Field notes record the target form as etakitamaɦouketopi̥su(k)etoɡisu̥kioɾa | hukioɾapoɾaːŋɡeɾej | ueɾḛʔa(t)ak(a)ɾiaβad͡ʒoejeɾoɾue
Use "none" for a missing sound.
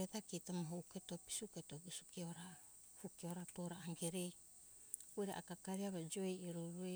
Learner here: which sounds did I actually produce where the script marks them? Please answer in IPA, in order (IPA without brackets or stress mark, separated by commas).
k, k, a